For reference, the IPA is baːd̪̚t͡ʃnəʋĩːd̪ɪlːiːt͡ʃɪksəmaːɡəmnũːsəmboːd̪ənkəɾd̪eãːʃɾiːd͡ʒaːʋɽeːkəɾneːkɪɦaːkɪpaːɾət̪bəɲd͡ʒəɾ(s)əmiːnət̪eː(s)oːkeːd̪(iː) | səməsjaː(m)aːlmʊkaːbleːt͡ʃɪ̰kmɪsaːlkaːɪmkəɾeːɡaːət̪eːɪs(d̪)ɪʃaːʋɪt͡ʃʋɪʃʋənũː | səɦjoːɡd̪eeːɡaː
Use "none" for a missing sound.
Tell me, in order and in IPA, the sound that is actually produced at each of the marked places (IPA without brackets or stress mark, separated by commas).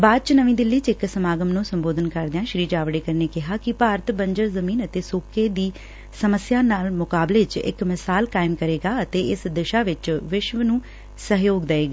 z, s, iː, n, d̪